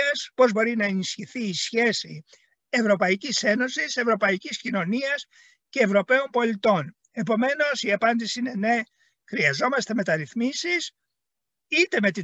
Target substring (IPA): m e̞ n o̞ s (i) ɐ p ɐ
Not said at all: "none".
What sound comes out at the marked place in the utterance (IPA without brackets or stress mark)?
i